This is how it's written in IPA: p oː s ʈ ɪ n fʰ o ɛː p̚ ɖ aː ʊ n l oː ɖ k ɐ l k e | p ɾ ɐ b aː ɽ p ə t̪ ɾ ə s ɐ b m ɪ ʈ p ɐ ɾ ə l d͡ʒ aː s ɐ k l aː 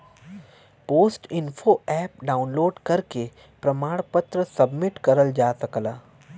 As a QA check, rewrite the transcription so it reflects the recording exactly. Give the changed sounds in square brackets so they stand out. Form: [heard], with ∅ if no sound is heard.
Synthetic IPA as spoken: p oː s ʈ ɪ n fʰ o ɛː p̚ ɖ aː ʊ n l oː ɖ k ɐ [ɾ] k e | p ɾ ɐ [m] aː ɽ p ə t̪ ɾ ə s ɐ b m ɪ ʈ [k] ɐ ɾ ə l d͡ʒ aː s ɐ k l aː